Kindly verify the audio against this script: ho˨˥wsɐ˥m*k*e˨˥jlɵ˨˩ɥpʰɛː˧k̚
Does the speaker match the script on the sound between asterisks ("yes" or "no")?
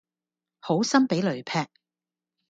no